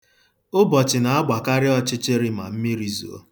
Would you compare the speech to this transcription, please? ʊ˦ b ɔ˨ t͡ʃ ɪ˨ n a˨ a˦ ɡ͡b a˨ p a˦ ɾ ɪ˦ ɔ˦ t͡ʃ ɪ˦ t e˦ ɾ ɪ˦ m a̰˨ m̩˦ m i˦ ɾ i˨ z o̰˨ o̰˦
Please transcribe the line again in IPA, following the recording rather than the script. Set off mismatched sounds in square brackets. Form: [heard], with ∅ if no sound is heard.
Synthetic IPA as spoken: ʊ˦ b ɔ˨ t͡ʃ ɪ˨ n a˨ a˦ ɡ͡b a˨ [k] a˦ ɾ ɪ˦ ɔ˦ t͡ʃ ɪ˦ [t͡ʃ] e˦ ɾ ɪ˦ m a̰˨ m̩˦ m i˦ ɾ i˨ z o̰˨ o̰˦